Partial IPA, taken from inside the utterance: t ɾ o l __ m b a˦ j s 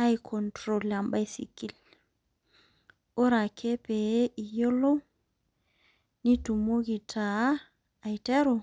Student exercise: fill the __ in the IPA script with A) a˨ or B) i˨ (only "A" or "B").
A